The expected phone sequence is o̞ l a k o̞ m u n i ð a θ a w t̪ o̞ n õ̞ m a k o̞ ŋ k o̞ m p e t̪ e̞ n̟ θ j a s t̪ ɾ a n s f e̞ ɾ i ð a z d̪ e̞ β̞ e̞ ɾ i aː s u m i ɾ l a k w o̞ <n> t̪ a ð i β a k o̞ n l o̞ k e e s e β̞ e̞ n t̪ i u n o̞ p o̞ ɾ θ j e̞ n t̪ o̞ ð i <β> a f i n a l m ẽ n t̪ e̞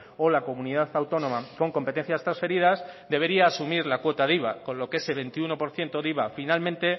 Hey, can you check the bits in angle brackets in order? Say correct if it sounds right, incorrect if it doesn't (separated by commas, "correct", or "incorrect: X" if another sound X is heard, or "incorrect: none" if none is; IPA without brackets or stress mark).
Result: incorrect: none, correct